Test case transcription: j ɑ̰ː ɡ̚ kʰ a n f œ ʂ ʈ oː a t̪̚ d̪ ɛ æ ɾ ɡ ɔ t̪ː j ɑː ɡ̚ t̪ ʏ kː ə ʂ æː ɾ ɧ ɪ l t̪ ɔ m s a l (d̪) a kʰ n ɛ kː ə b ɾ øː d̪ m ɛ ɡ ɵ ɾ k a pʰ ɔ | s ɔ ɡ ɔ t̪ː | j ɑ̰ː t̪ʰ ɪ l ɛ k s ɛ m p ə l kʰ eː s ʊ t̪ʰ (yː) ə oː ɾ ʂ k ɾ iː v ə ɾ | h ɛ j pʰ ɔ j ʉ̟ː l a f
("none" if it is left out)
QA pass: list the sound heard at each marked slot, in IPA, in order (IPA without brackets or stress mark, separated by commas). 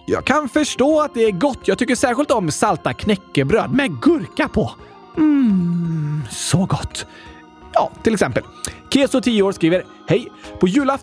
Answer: t̪, iː